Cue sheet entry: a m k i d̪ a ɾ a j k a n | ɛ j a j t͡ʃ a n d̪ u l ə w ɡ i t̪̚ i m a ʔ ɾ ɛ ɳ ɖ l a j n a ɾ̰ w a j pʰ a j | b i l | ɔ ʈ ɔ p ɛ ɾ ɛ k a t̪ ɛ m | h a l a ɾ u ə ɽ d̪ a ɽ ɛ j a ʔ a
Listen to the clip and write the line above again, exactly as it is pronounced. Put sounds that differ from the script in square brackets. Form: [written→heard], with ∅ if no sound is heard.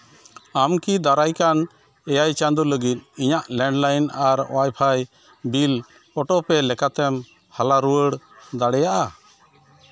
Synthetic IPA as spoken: a m k i d̪ a ɾ a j k a n | ɛ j a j t͡ʃ a n d̪ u l ə [w→∅] ɡ i t̪̚ i [m→ɲ] a ʔ [ɾ→l] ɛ ɳ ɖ l a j n a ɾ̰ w a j pʰ a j | b i l | ɔ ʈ ɔ p ɛ [ɾ→l] ɛ k a t̪ ɛ m | h a l a ɾ u ə ɽ d̪ a ɽ ɛ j a ʔ a